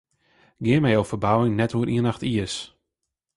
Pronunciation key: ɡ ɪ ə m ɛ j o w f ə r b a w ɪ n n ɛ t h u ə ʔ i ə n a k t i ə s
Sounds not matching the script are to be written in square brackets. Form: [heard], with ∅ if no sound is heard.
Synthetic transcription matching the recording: ɡ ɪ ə m ɛ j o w f ə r b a w ɪ [ŋ] n ɛ t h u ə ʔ i ə n a [x] t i ə s

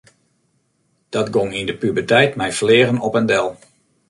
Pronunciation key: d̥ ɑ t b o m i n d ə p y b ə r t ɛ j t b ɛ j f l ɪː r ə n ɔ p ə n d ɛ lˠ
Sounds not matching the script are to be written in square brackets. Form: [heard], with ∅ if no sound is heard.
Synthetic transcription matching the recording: d̥ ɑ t [ɡ] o [ŋ] i n d ə p y b ə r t ɛ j t [m] ɛ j f l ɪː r ə n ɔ p ə n d ɛ lˠ

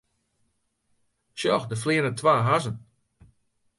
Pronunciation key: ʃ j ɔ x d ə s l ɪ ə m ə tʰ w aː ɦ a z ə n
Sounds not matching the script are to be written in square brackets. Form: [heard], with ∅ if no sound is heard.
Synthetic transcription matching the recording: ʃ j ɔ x d ə [f] l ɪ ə [n] ə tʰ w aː ɦ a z ə n

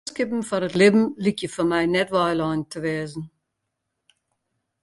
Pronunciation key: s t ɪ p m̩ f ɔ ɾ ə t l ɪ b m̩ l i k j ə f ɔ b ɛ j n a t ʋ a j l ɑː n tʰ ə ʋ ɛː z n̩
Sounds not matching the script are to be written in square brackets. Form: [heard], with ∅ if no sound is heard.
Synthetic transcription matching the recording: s [k] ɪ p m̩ f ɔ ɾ ə t l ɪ b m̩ l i k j ə f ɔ [m] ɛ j n [ɛ] t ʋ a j l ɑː n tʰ ə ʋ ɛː z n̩

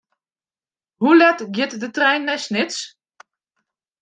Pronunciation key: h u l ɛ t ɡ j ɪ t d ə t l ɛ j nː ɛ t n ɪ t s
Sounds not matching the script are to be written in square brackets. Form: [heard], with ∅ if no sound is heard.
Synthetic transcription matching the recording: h u l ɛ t ɡ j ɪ t d ə t [r] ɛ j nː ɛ [s] n ɪ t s

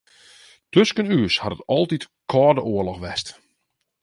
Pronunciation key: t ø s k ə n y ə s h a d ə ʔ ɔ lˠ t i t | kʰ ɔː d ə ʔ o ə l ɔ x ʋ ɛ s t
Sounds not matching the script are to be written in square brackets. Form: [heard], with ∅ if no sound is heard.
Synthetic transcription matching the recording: t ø s k ə n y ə s h a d ə [t] ɔ lˠ t i t | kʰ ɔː d ə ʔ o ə l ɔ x ʋ ɛ s t

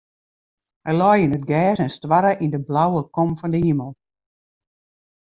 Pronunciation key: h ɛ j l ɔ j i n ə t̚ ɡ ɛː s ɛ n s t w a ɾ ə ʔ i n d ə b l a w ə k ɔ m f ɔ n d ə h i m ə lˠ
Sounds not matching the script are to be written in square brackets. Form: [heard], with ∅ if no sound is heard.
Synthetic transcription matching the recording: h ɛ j l ɔ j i n ə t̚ ɡ ɛː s ɛ n s t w a ɾ ə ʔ i n d ə b l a w ə k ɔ m f ɔ n d ə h i m ə lˠ

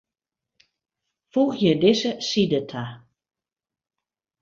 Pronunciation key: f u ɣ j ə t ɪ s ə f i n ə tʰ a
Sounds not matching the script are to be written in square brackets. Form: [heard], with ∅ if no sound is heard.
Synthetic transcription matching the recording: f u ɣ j ə [d] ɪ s ə [s] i [d] ə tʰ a

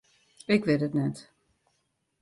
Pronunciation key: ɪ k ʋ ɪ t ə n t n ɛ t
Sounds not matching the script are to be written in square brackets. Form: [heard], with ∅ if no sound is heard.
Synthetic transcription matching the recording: ɪ k ʋ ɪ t ə [∅] t n ɛ t

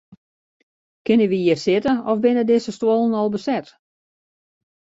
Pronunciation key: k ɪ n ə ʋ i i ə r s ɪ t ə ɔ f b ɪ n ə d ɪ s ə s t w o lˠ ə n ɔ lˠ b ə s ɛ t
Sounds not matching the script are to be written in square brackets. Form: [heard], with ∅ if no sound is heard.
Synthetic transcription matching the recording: k ɪ n ə ʋ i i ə r s ɪ t ə ɔ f b ɪ n ə d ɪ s ə s t w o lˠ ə n ɔ lˠ b ə s ɛ t

